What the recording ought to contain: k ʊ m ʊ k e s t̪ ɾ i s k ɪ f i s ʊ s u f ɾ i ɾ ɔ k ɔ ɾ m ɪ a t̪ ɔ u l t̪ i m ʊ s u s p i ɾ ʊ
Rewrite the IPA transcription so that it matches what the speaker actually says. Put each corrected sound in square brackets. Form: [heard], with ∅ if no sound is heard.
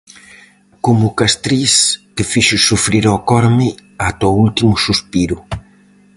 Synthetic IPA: k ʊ m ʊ k [a] s t̪ ɾ i s k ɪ f i [ʃ] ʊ s u f ɾ i ɾ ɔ k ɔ ɾ m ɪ a t̪ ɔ u l t̪ i m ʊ s u s p i ɾ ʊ